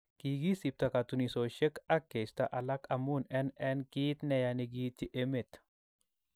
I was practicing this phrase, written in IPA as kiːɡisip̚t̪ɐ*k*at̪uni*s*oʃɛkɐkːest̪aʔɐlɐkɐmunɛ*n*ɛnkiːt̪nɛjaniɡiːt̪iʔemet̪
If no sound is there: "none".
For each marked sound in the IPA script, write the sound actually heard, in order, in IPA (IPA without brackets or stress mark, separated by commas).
k, s, n